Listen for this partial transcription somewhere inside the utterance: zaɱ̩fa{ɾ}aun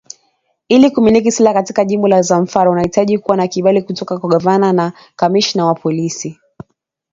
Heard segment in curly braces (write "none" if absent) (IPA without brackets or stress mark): ɾ